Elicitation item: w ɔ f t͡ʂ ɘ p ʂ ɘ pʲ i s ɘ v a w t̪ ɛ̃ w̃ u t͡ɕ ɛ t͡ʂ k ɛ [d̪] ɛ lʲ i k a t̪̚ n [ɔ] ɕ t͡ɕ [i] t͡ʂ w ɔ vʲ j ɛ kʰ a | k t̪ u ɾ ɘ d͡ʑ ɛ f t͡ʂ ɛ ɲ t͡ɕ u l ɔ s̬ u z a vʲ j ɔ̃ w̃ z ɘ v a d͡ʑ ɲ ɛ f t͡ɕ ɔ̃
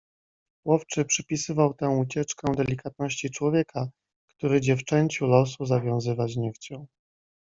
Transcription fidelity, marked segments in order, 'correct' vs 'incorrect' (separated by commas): correct, correct, correct